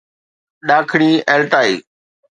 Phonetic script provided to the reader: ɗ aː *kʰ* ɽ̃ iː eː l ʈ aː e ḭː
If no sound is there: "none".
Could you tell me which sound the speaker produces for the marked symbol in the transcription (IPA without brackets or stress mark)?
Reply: kʰ